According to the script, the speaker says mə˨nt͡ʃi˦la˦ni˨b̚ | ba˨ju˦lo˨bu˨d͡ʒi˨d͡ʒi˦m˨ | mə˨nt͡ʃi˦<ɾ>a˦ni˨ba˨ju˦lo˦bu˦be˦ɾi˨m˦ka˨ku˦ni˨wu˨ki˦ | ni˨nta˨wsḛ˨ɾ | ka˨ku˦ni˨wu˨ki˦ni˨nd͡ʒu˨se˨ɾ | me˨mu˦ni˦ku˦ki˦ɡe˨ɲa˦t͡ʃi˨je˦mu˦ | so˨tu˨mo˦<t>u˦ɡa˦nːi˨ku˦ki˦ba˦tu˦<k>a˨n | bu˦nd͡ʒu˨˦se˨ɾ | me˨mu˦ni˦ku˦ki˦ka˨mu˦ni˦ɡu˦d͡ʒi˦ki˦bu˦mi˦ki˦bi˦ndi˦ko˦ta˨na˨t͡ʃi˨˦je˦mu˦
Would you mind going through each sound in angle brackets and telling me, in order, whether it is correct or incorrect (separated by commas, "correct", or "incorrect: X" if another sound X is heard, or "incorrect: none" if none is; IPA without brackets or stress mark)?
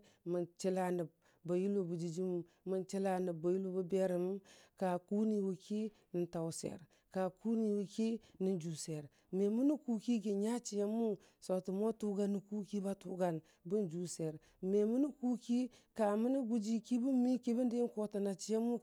incorrect: l, correct, incorrect: ɡ